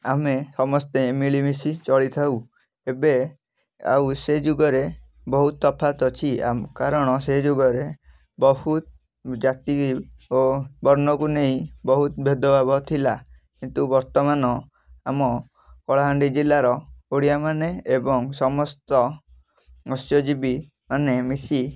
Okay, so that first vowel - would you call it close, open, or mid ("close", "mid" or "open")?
open